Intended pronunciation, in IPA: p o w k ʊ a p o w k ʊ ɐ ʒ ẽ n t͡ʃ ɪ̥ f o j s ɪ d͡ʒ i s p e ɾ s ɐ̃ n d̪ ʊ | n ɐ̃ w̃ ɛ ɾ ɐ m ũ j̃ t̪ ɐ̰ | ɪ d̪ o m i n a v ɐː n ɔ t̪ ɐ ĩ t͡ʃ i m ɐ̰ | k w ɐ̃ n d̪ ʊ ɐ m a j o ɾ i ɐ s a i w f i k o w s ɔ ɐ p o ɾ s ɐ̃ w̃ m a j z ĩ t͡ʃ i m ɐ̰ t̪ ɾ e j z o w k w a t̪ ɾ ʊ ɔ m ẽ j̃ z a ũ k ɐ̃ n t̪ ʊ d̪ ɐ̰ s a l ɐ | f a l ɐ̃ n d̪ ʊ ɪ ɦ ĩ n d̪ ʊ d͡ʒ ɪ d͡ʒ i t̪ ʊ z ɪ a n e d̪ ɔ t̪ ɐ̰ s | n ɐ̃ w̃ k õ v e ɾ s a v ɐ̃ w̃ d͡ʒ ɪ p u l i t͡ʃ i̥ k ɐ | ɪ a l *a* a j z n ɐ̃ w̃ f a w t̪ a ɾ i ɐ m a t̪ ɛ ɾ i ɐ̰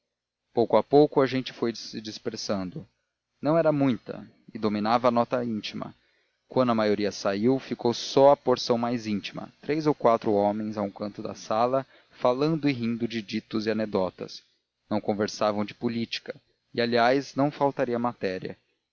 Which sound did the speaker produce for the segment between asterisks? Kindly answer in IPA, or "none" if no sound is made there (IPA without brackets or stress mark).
i